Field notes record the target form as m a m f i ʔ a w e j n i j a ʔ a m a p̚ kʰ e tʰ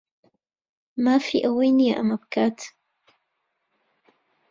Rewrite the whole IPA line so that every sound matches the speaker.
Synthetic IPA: m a f i ʔ a w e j n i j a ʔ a m a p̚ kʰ a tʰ